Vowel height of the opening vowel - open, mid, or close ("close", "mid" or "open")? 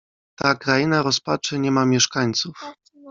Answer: open